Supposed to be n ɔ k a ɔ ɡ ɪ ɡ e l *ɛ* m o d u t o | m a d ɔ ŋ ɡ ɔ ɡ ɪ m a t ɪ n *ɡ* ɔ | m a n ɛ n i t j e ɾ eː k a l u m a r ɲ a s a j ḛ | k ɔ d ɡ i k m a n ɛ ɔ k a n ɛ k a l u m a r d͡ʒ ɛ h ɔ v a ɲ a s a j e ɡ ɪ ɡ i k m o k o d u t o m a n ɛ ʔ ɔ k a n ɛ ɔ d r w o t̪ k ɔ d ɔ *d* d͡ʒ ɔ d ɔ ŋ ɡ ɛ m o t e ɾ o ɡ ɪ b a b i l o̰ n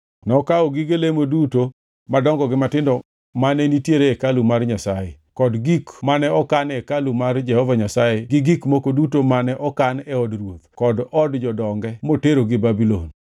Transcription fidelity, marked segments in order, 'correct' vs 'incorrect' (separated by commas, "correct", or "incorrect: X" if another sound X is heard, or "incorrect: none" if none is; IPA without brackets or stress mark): incorrect: e, incorrect: d, correct